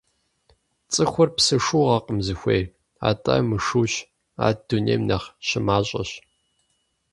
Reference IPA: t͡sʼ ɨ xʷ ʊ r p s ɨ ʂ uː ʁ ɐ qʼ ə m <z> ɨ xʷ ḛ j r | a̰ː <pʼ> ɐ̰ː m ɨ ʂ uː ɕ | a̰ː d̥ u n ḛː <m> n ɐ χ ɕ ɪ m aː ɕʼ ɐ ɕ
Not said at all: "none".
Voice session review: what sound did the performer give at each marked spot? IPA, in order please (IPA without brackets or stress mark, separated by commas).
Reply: z, tʼ, m